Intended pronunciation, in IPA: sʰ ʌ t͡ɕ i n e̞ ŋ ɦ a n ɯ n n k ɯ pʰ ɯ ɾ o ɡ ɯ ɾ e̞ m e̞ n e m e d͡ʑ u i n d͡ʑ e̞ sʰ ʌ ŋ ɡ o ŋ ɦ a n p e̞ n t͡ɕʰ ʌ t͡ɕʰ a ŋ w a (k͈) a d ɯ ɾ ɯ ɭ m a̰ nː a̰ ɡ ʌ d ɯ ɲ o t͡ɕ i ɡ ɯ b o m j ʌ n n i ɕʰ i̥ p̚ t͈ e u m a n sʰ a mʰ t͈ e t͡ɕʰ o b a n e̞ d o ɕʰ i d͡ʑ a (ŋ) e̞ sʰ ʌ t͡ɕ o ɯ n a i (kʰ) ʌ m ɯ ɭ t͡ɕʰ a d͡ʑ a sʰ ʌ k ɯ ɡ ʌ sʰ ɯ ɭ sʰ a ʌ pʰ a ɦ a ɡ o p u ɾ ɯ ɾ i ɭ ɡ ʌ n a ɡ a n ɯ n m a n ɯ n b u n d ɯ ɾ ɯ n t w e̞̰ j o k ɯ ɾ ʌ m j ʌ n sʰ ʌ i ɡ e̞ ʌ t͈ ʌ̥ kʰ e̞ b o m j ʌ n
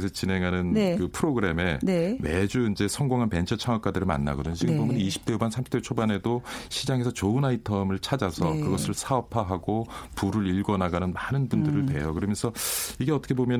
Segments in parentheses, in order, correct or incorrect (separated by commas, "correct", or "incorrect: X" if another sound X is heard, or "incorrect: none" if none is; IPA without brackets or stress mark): correct, correct, incorrect: tʰ